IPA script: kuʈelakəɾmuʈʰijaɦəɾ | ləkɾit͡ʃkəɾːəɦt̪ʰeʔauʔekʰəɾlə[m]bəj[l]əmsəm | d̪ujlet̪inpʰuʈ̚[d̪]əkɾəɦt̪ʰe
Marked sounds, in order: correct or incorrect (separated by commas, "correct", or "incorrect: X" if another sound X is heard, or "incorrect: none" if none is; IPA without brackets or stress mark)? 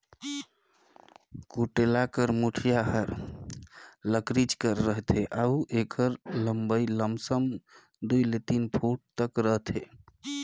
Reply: correct, correct, incorrect: t̪